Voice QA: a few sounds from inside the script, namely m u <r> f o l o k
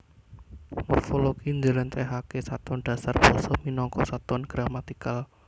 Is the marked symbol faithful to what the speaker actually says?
yes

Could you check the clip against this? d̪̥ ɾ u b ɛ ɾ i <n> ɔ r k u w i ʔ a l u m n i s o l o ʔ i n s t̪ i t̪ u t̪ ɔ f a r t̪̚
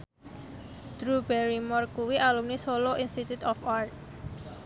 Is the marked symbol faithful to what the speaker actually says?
no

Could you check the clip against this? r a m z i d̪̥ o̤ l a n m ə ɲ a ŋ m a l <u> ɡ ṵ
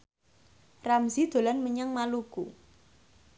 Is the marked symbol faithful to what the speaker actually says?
yes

